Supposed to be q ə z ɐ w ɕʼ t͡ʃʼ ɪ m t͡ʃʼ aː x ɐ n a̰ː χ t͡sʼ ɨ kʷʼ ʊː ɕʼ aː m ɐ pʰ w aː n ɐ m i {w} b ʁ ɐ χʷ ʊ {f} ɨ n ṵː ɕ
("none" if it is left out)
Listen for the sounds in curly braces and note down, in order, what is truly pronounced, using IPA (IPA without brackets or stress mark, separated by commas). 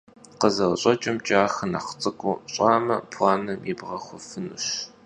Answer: none, f